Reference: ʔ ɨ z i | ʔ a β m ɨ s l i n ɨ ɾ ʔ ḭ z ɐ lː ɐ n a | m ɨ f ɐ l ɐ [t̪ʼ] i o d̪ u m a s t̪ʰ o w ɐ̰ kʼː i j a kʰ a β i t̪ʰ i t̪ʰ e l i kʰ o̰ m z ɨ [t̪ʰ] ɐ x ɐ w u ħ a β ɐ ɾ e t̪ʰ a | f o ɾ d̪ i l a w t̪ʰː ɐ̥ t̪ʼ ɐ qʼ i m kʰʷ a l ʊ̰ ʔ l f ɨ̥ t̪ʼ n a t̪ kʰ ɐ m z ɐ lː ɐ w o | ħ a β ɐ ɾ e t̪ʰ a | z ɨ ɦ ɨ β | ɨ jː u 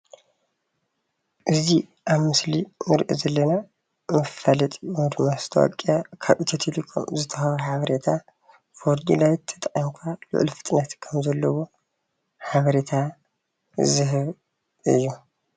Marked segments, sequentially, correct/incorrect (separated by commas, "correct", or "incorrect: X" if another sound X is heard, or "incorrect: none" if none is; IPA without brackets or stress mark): correct, correct